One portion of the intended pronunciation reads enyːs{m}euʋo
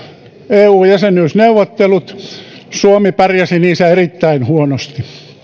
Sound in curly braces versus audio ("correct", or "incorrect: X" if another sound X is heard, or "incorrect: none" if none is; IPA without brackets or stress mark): incorrect: n